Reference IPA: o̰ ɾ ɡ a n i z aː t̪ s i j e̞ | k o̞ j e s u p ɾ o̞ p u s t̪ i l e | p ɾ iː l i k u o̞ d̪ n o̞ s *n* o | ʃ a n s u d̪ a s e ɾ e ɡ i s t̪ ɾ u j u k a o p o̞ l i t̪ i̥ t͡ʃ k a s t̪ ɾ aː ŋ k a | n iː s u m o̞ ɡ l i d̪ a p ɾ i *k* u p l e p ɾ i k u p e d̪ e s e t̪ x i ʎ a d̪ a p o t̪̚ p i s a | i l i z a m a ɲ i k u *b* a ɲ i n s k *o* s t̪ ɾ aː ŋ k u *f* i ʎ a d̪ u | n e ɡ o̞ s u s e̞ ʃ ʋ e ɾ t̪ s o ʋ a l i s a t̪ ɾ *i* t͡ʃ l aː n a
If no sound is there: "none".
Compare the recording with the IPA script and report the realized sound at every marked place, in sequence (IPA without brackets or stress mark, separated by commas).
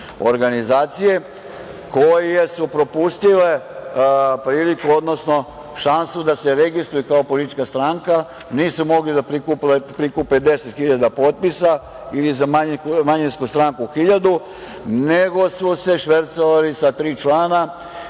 n, k, m, u, x, iː